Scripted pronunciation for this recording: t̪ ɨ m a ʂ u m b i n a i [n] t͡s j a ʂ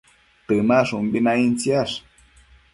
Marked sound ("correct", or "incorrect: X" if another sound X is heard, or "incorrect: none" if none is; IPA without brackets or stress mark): correct